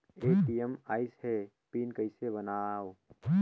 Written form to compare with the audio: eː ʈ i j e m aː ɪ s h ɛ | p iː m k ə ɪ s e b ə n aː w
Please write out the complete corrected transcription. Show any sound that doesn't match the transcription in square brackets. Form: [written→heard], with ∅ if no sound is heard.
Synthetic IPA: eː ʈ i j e m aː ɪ s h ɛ | p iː [m→n] k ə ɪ s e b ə n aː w